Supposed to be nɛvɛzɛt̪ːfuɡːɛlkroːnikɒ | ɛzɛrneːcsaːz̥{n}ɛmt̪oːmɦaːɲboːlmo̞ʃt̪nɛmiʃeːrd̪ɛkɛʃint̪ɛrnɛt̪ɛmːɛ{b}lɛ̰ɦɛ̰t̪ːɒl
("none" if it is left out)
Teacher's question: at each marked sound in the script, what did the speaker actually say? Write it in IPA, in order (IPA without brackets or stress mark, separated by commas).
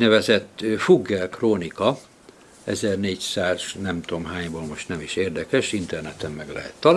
n, ɡ